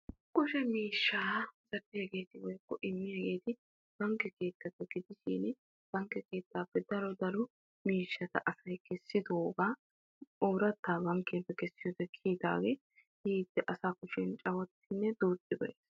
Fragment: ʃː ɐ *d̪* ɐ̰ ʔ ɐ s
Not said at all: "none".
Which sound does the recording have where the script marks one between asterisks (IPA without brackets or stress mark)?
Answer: t̪